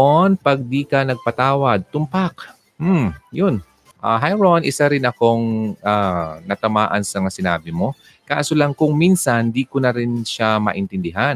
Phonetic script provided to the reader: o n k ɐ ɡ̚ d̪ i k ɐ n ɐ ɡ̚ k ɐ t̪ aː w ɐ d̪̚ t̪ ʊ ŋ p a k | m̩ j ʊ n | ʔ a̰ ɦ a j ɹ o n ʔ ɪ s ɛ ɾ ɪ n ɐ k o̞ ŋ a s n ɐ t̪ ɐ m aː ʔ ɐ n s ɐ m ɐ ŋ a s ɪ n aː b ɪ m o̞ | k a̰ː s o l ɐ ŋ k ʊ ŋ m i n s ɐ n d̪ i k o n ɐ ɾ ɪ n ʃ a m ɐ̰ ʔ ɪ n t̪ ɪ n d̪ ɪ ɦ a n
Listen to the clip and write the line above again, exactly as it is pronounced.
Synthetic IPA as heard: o n p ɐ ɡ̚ d̪ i k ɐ n ɐ ɡ̚ p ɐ t̪ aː w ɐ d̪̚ t̪ ʊ m p a k | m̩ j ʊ n | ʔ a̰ ɦ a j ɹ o n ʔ ɪ s a ɾ ɪ n ɐ k o̞ ŋ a n ɐ t̪ ɐ m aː ʔ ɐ n s ɐ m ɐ ŋ a s ɪ n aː b ɪ m o̞ | k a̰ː s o l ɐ ŋ k ʊ ŋ m i n s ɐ n d̪ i k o n ɐ ɾ ɪ n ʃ a m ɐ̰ ʔ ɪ n t̪ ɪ n d̪ ɪ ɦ a n